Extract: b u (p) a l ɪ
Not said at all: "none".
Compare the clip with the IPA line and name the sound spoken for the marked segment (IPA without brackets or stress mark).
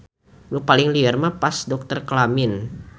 p